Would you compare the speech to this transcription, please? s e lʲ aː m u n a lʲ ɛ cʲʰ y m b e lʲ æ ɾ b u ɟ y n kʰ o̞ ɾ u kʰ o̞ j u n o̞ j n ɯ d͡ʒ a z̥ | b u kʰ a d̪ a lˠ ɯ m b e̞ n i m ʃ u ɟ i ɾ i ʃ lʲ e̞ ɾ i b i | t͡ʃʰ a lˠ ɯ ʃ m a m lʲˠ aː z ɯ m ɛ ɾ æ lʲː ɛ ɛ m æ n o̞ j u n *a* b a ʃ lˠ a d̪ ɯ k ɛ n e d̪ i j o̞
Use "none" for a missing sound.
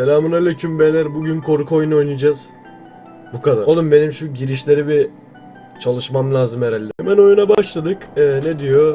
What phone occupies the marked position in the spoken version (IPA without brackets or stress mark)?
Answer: a